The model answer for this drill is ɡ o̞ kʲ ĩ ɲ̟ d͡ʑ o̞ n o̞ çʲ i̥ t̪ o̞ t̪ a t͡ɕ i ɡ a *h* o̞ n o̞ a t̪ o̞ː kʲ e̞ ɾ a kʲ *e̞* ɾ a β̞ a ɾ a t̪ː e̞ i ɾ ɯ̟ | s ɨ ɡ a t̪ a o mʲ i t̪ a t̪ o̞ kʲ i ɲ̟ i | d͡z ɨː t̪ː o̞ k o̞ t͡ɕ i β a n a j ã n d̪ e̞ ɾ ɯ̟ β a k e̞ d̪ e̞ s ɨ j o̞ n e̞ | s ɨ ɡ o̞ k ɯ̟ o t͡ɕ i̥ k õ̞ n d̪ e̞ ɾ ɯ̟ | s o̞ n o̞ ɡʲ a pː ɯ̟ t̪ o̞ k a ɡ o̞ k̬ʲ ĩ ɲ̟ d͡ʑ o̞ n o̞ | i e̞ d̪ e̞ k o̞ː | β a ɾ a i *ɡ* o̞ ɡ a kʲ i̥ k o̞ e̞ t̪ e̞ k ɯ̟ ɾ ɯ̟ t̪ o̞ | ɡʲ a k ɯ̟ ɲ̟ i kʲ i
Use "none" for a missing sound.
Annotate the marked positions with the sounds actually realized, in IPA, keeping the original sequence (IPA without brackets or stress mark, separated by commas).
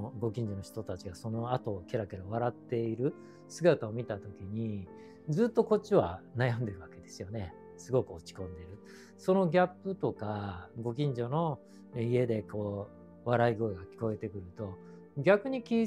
s, e̞, ɡ